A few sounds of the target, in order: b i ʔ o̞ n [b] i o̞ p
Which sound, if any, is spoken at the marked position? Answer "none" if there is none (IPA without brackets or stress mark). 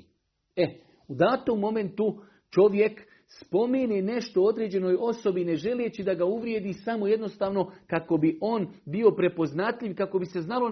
b